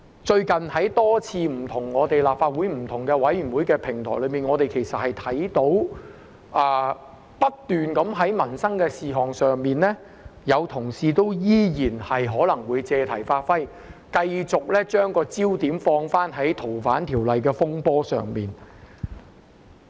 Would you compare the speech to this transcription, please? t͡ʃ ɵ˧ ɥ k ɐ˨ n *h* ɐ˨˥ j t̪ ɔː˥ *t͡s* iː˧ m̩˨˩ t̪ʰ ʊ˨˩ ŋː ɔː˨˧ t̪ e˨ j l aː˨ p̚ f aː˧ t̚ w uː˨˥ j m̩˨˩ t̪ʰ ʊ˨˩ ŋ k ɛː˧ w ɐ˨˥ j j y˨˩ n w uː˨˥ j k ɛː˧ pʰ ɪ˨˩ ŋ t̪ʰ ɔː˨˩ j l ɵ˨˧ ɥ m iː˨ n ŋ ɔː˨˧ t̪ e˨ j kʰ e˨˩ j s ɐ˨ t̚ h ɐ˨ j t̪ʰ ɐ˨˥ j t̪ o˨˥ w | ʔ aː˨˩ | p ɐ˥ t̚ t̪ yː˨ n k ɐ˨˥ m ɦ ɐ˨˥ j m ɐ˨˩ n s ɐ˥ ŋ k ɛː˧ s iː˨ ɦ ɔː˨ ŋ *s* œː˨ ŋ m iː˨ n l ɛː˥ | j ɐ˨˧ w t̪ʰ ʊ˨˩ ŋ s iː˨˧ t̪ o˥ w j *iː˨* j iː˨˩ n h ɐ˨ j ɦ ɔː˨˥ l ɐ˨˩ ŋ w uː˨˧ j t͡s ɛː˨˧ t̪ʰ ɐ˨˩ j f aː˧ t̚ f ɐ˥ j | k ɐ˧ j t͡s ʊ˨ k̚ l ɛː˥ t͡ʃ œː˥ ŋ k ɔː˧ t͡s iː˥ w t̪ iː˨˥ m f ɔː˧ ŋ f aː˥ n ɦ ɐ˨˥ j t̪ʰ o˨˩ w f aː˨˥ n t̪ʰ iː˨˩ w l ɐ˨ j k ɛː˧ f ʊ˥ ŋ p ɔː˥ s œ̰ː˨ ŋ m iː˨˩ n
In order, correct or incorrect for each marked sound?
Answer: correct, incorrect: t͡sʰ, correct, incorrect: iː˥

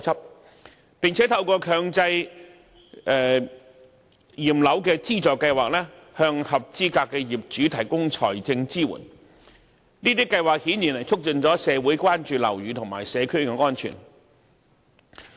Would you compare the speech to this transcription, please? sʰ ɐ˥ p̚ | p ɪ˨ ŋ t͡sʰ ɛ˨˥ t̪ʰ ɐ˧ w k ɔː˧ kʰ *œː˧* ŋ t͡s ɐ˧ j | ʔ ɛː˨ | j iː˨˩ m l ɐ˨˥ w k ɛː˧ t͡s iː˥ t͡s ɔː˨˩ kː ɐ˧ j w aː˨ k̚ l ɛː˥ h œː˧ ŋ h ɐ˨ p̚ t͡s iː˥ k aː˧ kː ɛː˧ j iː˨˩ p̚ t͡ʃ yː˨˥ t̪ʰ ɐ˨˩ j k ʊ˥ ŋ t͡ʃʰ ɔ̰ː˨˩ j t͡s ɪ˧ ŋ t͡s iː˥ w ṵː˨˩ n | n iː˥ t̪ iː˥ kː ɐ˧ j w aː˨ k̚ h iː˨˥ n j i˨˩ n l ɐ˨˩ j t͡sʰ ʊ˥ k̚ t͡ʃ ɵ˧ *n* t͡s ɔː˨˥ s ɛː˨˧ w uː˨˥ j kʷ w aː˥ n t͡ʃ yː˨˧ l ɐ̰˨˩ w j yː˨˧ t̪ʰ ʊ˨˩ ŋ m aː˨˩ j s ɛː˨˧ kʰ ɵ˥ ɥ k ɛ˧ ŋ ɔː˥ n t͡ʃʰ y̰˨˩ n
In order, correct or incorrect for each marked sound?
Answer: correct, correct

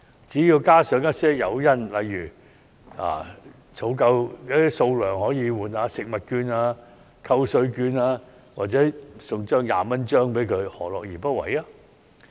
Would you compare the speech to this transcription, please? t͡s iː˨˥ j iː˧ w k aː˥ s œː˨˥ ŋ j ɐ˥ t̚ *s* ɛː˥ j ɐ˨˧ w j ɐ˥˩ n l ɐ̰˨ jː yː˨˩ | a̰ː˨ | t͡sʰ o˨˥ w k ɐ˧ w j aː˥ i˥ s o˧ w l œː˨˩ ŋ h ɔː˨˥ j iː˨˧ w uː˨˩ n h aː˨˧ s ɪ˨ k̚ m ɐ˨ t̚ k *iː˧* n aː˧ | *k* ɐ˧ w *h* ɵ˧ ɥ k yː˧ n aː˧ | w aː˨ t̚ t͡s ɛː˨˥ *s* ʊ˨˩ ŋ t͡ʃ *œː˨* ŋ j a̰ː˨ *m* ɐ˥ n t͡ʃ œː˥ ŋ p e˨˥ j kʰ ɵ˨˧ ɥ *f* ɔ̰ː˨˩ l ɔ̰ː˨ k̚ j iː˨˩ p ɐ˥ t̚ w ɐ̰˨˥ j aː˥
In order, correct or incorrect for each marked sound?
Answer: correct, incorrect: yː˧, incorrect: kʰ, incorrect: s, correct, incorrect: œː˥, correct, incorrect: h

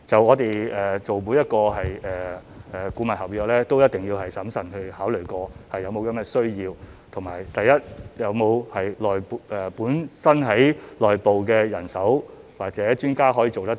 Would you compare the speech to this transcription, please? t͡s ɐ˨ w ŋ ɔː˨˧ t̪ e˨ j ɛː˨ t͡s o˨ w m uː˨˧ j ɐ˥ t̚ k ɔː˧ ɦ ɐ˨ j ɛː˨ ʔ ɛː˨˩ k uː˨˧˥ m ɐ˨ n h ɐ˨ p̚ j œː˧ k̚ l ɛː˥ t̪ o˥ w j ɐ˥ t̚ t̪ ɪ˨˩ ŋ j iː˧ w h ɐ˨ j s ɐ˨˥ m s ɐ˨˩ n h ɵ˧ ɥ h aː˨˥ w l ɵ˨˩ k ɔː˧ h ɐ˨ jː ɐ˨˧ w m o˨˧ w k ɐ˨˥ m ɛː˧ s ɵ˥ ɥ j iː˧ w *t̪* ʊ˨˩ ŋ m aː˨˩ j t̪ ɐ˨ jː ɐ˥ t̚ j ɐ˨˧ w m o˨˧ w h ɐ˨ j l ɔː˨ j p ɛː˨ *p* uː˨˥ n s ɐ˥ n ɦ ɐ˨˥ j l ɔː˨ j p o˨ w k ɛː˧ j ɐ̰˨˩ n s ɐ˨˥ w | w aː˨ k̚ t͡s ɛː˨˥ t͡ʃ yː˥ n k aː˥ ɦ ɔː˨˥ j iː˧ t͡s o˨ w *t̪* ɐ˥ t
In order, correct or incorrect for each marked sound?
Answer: incorrect: t̪ʰ, correct, correct

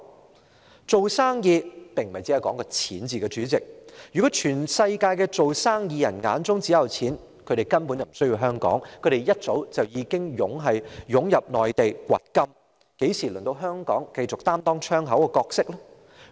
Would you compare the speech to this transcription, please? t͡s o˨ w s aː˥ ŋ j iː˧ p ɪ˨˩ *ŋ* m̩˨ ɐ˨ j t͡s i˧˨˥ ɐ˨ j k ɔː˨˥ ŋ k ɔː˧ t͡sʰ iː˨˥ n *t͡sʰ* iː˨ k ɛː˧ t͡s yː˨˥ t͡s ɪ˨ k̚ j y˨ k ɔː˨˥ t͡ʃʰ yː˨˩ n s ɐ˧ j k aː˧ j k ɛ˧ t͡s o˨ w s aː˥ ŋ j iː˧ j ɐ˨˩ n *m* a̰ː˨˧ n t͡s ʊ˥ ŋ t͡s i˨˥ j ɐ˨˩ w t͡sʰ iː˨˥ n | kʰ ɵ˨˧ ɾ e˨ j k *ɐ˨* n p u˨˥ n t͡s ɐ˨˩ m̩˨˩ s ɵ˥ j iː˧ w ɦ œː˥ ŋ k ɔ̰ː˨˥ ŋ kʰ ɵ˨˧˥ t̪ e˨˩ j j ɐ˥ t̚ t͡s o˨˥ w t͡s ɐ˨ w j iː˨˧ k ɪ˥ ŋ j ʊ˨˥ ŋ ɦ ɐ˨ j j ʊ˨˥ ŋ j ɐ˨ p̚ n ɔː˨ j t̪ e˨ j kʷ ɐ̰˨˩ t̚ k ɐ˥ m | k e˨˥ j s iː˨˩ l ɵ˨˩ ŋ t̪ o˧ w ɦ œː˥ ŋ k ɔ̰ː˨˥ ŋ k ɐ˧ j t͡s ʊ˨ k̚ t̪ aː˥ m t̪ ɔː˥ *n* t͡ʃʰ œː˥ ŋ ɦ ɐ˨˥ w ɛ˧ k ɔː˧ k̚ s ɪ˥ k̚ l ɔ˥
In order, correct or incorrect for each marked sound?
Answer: correct, incorrect: t͡s, incorrect: ŋ, incorrect: ɐ˥, incorrect: ŋ

